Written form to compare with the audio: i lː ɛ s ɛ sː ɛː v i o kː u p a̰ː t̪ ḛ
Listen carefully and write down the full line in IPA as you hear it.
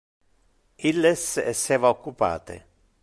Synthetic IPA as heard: i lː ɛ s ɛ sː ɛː v a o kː u p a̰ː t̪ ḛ